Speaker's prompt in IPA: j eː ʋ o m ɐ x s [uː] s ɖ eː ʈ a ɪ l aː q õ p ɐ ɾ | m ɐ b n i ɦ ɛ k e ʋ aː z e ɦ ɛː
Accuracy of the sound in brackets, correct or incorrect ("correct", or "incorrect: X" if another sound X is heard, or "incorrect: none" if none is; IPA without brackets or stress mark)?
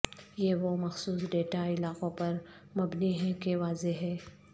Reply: correct